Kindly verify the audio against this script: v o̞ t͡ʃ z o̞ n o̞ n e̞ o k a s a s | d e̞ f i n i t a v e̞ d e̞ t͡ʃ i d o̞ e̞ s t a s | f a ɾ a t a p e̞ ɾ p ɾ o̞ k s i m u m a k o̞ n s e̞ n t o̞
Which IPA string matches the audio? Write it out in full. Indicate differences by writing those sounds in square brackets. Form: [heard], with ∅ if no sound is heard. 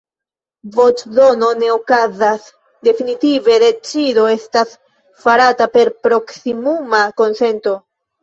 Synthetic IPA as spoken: v o̞ t͡ʃ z o̞ n o̞ n e̞ o k a [z] a s | d e̞ f i n i t [i] v e̞ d e̞ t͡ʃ i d o̞ e̞ s t a s | f a ɾ a t a p e̞ ɾ p ɾ o̞ k s i m u m a k o̞ n s e̞ n t o̞